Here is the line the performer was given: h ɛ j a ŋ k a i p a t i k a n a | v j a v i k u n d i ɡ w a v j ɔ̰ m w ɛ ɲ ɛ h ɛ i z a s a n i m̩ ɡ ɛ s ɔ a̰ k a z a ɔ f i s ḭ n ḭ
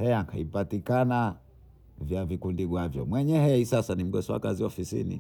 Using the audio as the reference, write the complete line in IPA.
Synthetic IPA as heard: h ɛ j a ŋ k a i p a t i k a n a | v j a v i k u n d i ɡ w a v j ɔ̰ m w ɛ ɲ ɛ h ɛ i s a s a n i m̩ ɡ ɛ s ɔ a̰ k a z i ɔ f i s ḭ n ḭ